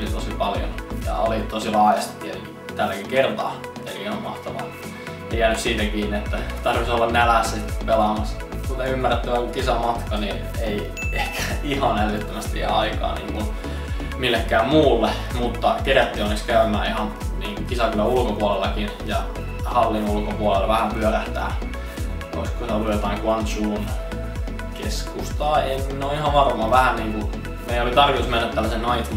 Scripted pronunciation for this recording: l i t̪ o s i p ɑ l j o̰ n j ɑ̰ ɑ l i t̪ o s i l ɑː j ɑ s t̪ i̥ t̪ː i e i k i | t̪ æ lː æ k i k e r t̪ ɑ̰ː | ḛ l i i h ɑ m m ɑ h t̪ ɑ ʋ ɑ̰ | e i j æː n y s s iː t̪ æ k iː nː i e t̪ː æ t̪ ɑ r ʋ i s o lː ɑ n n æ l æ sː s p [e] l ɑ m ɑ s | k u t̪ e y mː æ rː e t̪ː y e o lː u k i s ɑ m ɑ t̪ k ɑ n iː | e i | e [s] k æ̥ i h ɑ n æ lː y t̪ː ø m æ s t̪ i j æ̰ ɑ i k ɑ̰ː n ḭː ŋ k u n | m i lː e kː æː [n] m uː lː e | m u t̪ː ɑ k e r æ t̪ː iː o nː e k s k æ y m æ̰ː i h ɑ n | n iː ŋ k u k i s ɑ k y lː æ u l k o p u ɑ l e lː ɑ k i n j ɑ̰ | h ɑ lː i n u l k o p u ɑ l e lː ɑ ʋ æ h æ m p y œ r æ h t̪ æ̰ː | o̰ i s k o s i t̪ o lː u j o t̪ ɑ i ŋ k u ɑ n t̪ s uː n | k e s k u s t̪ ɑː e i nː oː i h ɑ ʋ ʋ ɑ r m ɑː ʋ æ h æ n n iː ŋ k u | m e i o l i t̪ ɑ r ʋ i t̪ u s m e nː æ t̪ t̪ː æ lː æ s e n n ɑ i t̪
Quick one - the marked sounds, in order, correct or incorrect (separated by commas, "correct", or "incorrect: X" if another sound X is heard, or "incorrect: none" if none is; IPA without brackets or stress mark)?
correct, incorrect: h, incorrect: m